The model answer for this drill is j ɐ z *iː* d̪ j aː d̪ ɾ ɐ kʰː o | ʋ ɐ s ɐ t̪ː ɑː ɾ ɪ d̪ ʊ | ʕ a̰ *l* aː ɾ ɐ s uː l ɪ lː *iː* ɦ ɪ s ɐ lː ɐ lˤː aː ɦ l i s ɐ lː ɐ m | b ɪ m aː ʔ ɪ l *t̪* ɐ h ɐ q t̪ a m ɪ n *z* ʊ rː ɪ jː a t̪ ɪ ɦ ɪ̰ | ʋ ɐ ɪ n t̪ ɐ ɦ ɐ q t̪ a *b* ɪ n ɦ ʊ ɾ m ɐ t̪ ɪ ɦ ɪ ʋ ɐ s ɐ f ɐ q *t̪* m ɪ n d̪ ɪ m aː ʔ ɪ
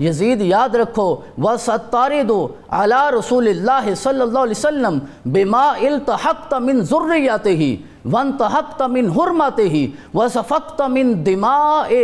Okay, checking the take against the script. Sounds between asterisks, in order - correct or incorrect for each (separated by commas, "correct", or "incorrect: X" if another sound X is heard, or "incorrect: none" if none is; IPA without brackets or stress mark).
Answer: correct, correct, incorrect: aː, correct, correct, incorrect: m, correct